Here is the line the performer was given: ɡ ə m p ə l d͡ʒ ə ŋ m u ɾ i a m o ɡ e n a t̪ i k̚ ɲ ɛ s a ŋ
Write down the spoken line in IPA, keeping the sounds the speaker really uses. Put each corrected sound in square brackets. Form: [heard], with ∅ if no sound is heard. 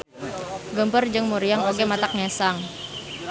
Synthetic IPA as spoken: ɡ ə m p ə [r] d͡ʒ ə ŋ m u ɾ i a [ŋ] o ɡ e [m] a t̪ [a] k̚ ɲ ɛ s a ŋ